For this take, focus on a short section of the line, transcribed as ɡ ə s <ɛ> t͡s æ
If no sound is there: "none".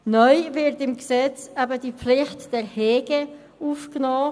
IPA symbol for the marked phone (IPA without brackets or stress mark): ɛ